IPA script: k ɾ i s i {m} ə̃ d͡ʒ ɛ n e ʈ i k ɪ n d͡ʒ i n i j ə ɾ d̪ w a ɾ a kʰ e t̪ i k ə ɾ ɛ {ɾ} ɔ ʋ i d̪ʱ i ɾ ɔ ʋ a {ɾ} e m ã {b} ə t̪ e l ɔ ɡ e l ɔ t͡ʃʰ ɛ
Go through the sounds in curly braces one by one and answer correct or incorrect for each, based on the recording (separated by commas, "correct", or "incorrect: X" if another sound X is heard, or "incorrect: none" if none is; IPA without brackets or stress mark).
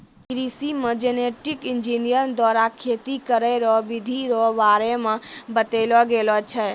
correct, correct, correct, correct